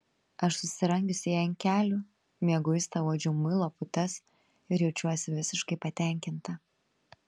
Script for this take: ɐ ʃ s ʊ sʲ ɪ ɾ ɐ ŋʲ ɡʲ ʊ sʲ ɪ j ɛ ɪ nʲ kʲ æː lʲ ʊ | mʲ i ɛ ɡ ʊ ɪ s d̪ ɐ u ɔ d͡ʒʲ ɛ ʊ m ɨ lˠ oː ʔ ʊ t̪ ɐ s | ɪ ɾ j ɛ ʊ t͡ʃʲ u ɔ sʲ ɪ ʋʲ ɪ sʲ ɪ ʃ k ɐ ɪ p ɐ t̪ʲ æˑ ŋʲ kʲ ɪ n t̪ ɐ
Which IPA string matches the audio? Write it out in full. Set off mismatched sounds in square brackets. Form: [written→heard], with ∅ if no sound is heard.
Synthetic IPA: ɐ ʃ s ʊ sʲ ɪ ɾ ɐ ŋʲ ɡʲ ʊ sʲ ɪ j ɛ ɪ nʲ kʲ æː lʲ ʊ | mʲ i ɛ ɡ ʊ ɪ s [d̪→t̪] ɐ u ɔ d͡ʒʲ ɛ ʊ m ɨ lˠ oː [ʔ→p] ʊ t̪ ɐ s | ɪ ɾ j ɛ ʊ t͡ʃʲ u ɔ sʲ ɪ ʋʲ ɪ sʲ ɪ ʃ k ɐ ɪ p ɐ t̪ʲ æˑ ŋʲ kʲ ɪ n t̪ ɐ

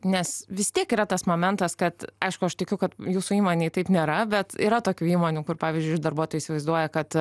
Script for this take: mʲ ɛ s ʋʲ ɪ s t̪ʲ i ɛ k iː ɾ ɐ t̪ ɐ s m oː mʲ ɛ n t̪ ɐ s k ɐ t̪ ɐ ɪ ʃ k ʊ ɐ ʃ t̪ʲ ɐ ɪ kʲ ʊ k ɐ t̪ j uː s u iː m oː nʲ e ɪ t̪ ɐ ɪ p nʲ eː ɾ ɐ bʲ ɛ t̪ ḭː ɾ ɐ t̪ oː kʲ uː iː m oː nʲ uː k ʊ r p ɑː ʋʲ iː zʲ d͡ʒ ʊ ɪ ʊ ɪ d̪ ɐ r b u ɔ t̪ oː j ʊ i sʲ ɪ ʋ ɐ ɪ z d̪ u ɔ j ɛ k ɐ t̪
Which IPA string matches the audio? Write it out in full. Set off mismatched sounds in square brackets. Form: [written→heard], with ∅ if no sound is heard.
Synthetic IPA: [mʲ→nʲ] ɛ s ʋʲ ɪ s t̪ʲ i ɛ k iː ɾ ɐ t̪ ɐ s m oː mʲ ɛ n t̪ ɐ s k ɐ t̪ ɐ ɪ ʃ k ʊ ɐ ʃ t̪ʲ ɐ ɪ kʲ ʊ k ɐ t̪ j uː s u iː m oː nʲ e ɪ t̪ ɐ ɪ p nʲ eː ɾ ɐ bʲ ɛ t̪ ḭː ɾ ɐ t̪ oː kʲ uː iː m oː nʲ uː k ʊ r p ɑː ʋʲ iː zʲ d͡ʒ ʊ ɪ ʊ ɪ d̪ ɐ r b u ɔ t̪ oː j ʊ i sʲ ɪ ʋ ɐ ɪ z d̪ u ɔ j ɛ k ɐ t̪

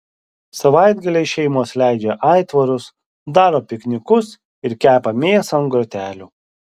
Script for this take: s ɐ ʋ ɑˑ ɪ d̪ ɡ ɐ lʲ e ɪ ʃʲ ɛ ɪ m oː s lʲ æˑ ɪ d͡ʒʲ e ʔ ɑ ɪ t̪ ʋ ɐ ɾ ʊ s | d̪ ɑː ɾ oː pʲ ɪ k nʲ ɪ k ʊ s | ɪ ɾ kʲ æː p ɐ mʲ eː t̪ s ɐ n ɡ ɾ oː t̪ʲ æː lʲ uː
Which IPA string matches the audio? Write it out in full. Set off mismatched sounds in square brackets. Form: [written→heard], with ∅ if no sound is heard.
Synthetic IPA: s ɐ ʋ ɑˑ ɪ d̪ ɡ ɐ lʲ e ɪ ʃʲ ɛ ɪ m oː s lʲ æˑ ɪ d͡ʒʲ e ʔ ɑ ɪ t̪ ʋ ɐ ɾ ʊ s | d̪ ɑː ɾ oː pʲ ɪ k nʲ ɪ k ʊ s | ɪ ɾ kʲ æː p ɐ mʲ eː [t̪→∅] s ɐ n ɡ ɾ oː t̪ʲ æː lʲ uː

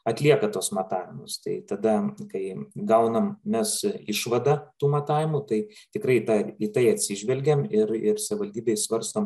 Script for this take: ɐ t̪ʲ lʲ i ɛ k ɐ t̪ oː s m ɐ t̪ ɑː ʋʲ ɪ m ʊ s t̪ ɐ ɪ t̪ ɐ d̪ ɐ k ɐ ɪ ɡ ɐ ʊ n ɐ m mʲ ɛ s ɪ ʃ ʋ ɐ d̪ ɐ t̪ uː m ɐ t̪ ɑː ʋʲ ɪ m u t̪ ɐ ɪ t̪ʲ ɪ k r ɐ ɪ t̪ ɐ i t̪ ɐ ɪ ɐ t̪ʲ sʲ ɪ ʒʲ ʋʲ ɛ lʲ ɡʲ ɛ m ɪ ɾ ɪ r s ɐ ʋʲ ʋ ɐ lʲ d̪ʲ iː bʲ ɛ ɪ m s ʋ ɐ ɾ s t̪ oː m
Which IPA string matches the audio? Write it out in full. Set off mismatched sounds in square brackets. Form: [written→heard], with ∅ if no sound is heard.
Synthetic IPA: ɐ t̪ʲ lʲ i ɛ k ɐ t̪ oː s m ɐ t̪ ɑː ʋʲ ɪ m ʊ s t̪ ɐ ɪ t̪ ɐ d̪ ɐ k ɐ ɪ ɡ ɐ ʊ n ɐ m mʲ ɛ s ɪ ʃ ʋ ɐ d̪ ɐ t̪ uː m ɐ t̪ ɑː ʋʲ ɪ m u t̪ ɐ ɪ t̪ʲ ɪ k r ɐ ɪ t̪ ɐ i t̪ ɐ ɪ ɐ t̪ʲ sʲ ɪ ʒʲ ʋʲ ɛ lʲ ɡʲ ɛ m ɪ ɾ ɪ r s ɐ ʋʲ ʋ ɐ lʲ d̪ʲ iː bʲ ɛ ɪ [m→∅] s ʋ ɐ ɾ s t̪ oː m

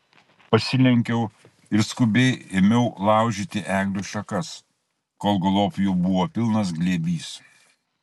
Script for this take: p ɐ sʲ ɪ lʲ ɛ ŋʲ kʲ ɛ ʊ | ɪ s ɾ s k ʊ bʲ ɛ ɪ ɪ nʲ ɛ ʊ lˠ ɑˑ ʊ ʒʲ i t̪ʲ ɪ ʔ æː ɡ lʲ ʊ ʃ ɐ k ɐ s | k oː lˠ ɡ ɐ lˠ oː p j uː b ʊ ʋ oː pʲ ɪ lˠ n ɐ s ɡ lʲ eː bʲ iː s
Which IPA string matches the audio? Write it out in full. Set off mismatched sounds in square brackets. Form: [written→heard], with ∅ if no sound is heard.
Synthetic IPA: p ɐ sʲ ɪ lʲ ɛ ŋʲ kʲ ɛ ʊ | ɪ [s→∅] ɾ s k ʊ bʲ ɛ ɪ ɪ [nʲ→mʲ] ɛ ʊ lˠ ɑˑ ʊ ʒʲ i t̪ʲ ɪ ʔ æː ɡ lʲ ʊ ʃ ɐ k ɐ s | k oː lˠ ɡ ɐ lˠ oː p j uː b ʊ ʋ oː pʲ ɪ lˠ n ɐ s ɡ lʲ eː bʲ iː s

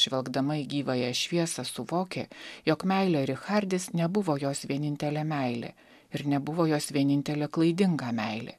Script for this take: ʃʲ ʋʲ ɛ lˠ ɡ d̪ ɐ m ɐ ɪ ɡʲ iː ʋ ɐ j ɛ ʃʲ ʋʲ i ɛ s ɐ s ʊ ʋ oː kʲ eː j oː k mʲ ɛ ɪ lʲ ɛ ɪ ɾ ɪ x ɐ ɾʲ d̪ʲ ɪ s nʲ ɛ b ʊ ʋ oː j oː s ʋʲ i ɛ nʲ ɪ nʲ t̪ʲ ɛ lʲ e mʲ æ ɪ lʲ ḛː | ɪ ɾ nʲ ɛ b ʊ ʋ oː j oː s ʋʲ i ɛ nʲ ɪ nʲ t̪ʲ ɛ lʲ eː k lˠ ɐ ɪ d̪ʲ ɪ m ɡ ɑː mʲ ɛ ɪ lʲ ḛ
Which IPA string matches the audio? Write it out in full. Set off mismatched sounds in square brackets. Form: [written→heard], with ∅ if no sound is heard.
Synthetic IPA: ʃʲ ʋʲ ɛ lˠ ɡ d̪ ɐ m ɐ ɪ ɡʲ iː ʋ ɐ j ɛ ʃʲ ʋʲ i ɛ s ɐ s ʊ ʋ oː kʲ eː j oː k mʲ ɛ ɪ lʲ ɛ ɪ ɾ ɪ x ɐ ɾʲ d̪ʲ ɪ s nʲ ɛ b ʊ ʋ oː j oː s ʋʲ i ɛ nʲ ɪ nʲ t̪ʲ ɛ lʲ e mʲ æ ɪ lʲ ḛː | ɪ ɾ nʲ ɛ b ʊ ʋ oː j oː s ʋʲ i ɛ nʲ ɪ nʲ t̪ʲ ɛ lʲ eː k lˠ ɐ ɪ d̪ʲ ɪ [m→ŋ] ɡ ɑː mʲ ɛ ɪ lʲ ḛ

